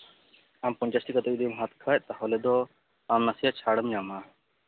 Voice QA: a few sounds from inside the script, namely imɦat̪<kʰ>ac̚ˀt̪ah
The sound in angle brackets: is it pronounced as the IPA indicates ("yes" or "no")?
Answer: yes